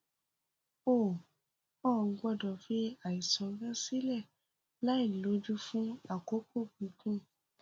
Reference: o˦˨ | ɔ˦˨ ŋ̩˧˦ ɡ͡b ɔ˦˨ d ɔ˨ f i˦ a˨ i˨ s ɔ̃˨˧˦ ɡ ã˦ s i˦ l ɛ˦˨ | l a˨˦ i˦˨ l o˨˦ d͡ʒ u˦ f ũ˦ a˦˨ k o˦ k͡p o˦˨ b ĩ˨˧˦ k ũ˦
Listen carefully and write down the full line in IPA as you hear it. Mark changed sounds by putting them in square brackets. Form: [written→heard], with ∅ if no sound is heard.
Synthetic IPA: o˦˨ | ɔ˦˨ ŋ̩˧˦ ɡ͡b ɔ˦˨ d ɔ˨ f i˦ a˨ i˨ s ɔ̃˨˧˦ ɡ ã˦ s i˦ l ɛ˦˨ | l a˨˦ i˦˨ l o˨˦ d͡ʒ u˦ f ũ˦ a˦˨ k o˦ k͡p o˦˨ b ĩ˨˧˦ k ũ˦